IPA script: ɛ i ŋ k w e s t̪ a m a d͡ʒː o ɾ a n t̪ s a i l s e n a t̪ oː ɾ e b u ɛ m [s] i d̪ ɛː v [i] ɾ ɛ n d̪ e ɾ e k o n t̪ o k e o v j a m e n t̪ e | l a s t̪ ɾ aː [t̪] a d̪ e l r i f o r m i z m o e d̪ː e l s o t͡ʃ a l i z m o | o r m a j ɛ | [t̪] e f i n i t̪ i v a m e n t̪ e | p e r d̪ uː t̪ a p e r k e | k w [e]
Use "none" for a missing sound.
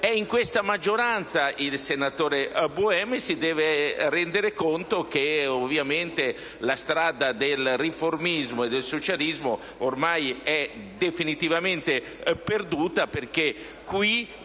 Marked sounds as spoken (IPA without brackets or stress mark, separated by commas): s, e, d̪, d̪, i